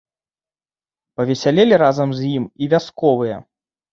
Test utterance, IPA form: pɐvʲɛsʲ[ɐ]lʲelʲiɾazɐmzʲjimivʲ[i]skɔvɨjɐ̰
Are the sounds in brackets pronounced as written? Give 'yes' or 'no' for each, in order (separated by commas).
no, no